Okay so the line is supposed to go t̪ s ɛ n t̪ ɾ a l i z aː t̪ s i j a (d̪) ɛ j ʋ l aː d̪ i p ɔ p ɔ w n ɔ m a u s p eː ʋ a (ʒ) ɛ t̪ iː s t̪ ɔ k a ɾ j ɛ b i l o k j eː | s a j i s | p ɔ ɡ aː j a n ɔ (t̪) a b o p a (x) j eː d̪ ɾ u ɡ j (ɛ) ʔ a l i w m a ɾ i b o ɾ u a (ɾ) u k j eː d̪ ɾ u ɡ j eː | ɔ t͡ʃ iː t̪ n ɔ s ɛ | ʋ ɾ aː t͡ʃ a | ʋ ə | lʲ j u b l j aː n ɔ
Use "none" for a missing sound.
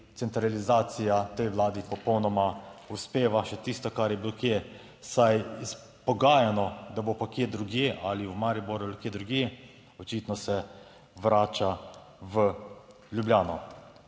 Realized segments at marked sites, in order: t̪, ʃ, d̪, k, e, l

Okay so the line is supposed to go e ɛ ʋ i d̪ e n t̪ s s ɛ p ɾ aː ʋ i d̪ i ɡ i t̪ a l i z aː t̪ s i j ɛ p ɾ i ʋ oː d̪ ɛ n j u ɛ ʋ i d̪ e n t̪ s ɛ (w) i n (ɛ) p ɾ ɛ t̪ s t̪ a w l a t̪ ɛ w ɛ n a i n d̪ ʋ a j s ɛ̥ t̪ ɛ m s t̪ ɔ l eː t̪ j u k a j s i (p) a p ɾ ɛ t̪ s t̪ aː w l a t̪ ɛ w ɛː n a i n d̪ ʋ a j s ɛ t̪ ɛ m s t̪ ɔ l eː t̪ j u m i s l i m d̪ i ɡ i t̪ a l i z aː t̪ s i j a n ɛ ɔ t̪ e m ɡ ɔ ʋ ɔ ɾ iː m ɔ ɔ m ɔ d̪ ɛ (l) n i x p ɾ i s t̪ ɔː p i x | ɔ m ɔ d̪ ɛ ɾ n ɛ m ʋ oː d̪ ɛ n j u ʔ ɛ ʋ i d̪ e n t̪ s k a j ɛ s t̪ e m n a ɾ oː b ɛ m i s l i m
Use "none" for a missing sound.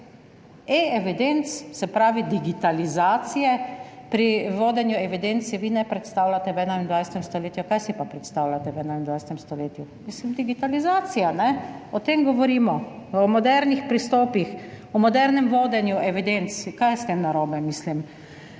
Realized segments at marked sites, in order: ʋ, ɛ, p, ɾ

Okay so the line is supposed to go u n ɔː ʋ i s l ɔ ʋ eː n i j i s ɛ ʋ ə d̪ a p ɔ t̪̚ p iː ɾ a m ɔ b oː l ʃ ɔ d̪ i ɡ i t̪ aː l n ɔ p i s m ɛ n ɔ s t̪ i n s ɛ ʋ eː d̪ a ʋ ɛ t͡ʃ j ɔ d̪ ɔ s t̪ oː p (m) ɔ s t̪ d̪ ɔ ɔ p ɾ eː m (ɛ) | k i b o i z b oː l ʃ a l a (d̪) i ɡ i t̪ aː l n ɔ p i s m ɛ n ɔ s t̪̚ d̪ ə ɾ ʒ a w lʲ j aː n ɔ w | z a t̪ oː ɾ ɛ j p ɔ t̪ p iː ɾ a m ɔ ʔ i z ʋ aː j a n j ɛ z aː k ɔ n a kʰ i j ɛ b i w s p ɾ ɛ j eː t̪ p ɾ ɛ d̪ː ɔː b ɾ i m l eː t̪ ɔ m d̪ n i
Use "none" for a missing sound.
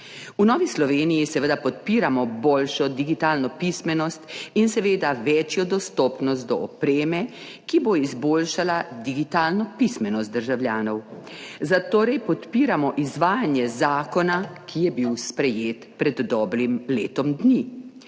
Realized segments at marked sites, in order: n, ɛ, d̪

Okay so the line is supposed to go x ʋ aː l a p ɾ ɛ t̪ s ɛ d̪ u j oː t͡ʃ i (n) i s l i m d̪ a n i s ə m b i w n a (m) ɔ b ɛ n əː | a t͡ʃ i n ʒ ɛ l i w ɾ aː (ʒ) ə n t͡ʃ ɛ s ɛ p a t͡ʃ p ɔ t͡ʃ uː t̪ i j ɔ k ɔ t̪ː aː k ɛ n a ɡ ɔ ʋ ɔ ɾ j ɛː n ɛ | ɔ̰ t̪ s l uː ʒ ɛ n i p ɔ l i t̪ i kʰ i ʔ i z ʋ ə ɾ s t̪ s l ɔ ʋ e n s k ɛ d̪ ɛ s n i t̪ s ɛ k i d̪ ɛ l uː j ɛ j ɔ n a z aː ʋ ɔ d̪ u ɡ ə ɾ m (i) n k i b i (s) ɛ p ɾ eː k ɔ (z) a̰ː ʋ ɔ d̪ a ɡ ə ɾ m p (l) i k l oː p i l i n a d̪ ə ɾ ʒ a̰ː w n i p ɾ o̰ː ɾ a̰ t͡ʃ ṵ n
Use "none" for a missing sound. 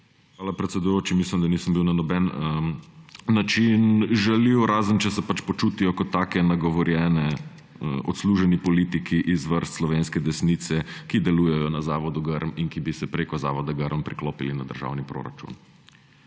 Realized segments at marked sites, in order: m, n, z, i, s, z, ɾ

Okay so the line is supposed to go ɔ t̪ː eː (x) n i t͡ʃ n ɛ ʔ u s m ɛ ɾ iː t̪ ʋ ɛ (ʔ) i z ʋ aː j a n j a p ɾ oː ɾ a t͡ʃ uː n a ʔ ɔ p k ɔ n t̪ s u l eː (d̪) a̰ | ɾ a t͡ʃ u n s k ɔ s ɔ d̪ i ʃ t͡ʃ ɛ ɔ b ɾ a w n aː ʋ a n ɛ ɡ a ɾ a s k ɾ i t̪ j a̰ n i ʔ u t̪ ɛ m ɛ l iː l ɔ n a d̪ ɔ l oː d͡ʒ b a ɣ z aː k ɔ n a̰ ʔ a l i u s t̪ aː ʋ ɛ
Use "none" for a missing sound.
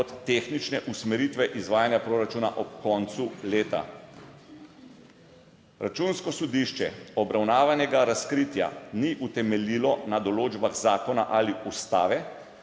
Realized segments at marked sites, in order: x, ʔ, t̪

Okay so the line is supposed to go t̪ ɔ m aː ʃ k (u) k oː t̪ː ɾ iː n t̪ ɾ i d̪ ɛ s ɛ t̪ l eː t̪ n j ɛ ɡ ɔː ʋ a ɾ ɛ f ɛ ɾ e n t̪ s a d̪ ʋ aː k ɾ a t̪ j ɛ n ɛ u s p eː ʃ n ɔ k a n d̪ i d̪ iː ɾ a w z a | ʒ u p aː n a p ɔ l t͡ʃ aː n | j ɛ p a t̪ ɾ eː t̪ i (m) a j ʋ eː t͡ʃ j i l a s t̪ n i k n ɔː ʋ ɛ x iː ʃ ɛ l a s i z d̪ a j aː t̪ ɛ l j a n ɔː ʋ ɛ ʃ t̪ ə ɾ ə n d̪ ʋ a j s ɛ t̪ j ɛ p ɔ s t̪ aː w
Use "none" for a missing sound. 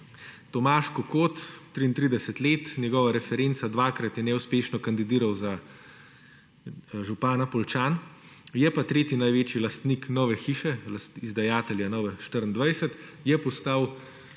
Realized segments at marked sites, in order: ɔ, n

